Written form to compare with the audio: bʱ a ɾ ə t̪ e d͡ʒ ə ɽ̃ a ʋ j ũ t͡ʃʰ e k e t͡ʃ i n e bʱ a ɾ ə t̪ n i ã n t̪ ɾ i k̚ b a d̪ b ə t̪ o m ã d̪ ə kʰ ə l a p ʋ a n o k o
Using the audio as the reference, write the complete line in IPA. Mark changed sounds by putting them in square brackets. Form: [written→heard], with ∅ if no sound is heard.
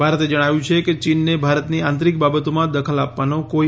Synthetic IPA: bʱ a ɾ ə t̪ e d͡ʒ ə ɽ̃ a ʋ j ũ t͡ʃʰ e k e t͡ʃ i [n→nː] e bʱ a ɾ ə t̪ n i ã n t̪ ɾ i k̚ b a [d̪→∅] b ə t̪ o m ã d̪ ə kʰ ə l a p ʋ a n o k o